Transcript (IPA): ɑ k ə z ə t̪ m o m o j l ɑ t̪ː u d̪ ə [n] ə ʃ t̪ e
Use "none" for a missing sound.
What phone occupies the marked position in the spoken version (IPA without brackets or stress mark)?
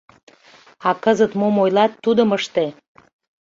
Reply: m